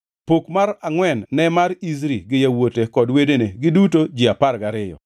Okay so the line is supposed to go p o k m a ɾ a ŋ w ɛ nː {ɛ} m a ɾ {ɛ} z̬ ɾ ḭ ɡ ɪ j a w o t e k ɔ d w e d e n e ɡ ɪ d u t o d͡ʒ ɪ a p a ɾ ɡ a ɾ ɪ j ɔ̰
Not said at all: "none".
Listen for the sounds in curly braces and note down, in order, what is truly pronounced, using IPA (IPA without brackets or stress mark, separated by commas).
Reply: ɛ, i